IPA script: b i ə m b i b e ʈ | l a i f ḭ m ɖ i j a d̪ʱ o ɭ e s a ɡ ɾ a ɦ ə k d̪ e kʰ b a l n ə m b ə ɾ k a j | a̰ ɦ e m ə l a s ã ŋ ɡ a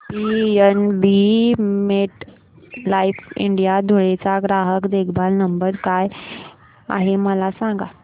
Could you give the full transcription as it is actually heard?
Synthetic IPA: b i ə n b i m e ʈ | l a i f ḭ ɳ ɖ i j a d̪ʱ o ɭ e t͡s a ɡ ɾ a ɦ ə k d̪ e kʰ b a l n ə m b ə ɾ k a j | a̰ ɦ e m ə l a s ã ŋ ɡ a